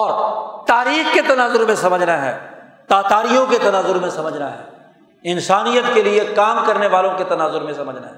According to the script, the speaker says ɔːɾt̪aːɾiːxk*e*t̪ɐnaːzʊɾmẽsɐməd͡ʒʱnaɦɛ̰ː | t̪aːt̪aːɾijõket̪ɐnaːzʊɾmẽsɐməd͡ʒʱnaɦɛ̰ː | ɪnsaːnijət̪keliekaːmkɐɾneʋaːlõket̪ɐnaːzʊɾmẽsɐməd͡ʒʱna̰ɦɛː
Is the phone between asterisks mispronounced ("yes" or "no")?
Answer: no